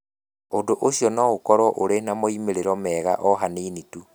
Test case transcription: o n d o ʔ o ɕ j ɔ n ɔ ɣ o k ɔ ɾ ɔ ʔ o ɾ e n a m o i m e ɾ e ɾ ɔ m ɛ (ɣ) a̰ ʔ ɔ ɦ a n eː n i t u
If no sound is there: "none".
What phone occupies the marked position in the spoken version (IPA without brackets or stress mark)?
ɣ